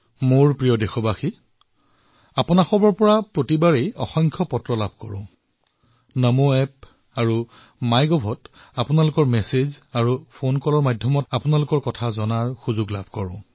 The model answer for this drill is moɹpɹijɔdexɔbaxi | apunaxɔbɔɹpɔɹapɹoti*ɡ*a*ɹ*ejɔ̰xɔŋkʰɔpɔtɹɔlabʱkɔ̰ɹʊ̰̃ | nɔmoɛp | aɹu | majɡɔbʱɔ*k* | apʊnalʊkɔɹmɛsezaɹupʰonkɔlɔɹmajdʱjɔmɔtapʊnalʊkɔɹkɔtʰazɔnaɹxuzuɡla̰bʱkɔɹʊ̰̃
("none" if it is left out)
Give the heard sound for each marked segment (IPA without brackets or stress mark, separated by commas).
b, ɹ, t